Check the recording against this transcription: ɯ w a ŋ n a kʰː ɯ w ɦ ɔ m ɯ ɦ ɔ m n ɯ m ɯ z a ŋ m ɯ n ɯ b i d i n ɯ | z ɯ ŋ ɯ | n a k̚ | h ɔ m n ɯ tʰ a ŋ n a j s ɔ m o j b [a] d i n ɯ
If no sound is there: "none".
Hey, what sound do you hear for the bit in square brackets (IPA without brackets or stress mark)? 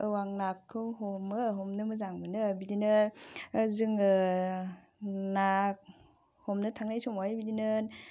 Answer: i